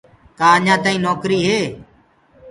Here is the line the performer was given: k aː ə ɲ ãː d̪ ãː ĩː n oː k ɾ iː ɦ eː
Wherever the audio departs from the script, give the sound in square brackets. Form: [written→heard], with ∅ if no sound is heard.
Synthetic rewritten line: k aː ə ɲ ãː [d̪→t̪] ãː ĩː n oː k ɾ iː ɦ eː